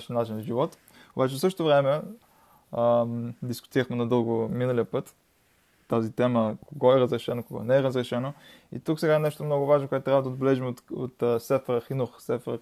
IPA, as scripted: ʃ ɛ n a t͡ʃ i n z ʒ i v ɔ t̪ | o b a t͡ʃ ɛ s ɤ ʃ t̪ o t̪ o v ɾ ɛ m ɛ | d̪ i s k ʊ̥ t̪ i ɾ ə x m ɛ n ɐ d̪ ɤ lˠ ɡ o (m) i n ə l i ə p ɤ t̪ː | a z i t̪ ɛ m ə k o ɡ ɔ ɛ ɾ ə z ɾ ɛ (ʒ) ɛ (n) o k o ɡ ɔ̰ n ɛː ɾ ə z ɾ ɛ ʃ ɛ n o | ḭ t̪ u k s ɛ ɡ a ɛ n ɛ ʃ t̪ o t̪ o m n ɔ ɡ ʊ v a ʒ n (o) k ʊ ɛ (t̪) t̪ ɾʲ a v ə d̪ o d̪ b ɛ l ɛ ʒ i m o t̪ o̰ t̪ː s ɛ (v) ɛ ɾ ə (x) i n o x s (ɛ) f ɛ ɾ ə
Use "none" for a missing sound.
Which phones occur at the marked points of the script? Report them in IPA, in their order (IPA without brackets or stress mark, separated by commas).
m, ʃ, n, o, t̪, f, x, ɛ